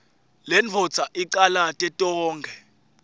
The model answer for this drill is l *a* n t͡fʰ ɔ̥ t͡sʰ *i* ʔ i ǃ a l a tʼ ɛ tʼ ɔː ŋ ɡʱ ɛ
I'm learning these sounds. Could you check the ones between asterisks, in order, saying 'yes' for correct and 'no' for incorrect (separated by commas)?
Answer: no, no